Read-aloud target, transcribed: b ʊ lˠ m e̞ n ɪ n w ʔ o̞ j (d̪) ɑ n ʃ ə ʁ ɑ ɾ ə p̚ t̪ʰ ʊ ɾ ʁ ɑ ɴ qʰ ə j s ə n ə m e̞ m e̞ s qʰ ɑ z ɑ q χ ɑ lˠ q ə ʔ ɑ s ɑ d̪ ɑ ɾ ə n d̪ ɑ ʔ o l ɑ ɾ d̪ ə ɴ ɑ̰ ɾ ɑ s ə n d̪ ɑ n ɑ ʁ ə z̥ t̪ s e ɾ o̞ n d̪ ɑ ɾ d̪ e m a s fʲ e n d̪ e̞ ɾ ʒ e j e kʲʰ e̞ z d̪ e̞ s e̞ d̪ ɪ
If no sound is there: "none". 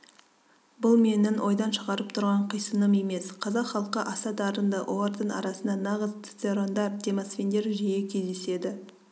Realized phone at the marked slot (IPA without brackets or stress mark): d̪